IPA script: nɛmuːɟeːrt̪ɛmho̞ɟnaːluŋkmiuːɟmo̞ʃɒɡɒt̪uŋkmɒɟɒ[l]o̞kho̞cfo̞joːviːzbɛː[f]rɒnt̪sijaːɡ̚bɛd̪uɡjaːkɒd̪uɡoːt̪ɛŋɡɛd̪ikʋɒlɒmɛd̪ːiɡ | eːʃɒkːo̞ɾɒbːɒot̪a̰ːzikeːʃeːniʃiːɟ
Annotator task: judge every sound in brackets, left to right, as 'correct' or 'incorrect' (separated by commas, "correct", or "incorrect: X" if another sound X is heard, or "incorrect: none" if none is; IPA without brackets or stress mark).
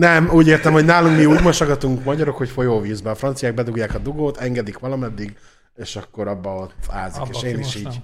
incorrect: ɾ, correct